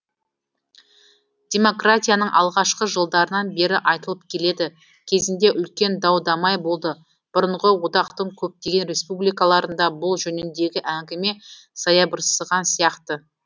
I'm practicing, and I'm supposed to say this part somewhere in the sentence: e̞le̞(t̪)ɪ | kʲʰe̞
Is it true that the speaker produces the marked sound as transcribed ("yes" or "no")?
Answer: no